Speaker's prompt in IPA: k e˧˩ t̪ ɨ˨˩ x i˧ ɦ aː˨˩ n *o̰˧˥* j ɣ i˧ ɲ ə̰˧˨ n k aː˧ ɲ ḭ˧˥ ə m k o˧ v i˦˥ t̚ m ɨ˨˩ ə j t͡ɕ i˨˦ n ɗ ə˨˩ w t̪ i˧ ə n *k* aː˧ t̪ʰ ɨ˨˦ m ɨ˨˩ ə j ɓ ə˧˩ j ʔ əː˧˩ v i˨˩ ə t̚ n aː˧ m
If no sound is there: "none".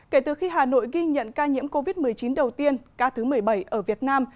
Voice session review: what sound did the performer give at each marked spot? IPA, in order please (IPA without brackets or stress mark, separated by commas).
o̰˧˨, k